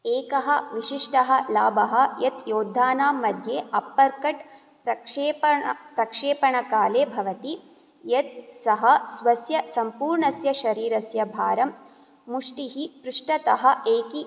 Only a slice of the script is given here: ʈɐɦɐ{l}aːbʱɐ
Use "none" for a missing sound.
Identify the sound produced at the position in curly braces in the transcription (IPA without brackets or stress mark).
l